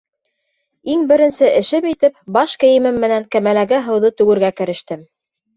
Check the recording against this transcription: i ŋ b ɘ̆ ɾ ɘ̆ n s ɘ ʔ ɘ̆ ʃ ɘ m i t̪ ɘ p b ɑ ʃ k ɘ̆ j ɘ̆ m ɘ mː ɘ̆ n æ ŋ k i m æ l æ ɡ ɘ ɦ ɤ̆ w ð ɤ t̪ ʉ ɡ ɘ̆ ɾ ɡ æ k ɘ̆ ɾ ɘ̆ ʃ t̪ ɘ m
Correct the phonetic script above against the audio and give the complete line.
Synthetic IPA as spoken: i ŋ b ɘ̆ ɾ ɘ̆ n s ɘ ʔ ɘ̆ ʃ ɘ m i t̪ ɘ p b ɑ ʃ k ɘ̆ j ɘ̆ m ɘ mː ɘ̆ n æ ŋ k æ m æ l æ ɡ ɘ ɦ ɤ̆ w ð ɤ t̪ ʉ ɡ ɘ̆ ɾ ɡ æ k ɘ̆ ɾ ɘ̆ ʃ t̪ ɘ m